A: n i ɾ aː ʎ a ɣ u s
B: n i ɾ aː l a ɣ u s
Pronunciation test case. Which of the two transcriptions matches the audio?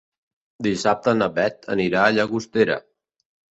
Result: A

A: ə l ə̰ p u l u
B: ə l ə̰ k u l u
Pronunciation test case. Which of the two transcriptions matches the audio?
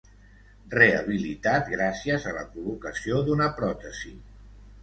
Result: B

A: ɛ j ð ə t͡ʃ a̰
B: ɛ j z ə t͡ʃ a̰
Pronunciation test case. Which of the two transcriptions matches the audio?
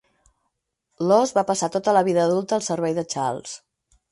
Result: A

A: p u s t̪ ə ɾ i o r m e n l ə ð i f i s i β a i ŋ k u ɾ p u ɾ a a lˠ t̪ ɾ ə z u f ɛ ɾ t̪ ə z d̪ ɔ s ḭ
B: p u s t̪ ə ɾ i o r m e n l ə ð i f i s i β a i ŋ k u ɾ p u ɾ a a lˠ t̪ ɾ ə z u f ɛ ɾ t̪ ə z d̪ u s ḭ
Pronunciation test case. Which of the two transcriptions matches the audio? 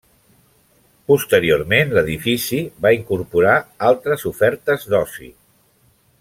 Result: A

